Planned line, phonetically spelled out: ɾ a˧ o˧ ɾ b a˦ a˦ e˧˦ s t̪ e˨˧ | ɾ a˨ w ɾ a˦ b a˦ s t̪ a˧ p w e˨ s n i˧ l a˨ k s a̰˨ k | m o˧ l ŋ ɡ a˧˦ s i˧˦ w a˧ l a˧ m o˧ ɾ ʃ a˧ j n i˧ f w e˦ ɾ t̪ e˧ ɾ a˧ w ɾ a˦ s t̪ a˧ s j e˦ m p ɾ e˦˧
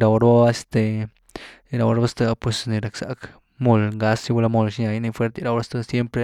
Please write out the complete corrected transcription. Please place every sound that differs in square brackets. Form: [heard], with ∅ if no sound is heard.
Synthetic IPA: ɾ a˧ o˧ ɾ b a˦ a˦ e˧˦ s t̪ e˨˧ | ɾ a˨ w ɾ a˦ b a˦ s t̪ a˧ p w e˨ s n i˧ [ɾ] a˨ k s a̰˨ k | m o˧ l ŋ ɡ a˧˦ s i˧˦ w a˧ l a˧ m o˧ [l] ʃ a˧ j n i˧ f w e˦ ɾ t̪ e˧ ɾ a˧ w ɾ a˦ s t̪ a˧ s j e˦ m p ɾ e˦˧